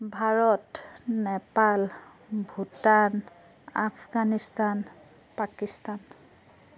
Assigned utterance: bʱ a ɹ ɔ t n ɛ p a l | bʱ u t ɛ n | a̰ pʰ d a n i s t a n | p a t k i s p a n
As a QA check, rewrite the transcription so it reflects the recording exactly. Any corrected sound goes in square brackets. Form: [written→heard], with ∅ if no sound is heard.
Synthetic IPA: bʱ a ɹ ɔ t n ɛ p a l | bʱ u t [ɛ→a] n | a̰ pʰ [d→ɡ] a n i s t a n | p a [t→∅] k i s [p→t] a n